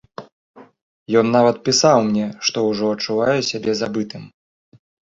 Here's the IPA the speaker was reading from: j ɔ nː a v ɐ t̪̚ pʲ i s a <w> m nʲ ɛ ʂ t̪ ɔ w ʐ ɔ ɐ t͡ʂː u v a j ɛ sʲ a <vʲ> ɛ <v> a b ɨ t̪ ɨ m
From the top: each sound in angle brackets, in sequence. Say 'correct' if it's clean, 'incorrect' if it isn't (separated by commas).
correct, incorrect, incorrect